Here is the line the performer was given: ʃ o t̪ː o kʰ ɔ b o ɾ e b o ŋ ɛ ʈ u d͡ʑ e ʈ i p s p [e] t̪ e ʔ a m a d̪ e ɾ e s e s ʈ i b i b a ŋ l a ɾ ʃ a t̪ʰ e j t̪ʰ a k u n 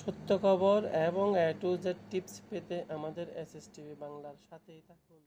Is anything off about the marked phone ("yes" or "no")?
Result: no